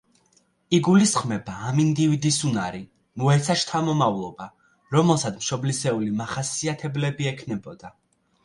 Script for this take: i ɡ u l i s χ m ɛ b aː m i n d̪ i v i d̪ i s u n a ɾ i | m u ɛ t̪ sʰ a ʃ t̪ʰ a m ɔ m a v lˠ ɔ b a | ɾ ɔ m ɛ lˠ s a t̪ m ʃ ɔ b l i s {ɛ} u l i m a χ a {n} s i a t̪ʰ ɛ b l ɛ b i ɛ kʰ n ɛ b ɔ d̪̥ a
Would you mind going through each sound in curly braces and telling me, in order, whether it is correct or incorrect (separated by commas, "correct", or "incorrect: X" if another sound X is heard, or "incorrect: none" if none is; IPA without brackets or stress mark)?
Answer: correct, incorrect: none